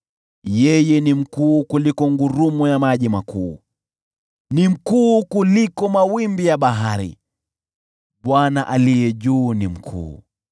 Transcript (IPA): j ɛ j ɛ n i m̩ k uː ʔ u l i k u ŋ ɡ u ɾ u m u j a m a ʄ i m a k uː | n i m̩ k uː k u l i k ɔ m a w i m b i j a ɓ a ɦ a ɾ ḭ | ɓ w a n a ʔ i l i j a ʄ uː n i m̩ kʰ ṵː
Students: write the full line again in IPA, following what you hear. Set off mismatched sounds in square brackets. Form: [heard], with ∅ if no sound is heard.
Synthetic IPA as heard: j ɛ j ɛ n i m̩ k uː [k] u l i k [ɔ] ŋ ɡ u ɾ u m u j a m a ʄ i m a k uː | n i m̩ k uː k u l i k ɔ m a w i m b i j a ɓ a ɦ a ɾ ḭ | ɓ w a n a ʔ [a] l i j [ɛ] ʄ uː n i m̩ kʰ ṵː